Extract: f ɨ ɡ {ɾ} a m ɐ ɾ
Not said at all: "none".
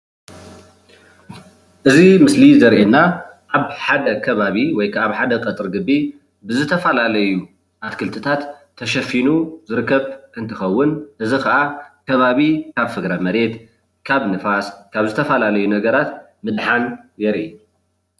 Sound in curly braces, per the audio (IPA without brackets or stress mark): ɾ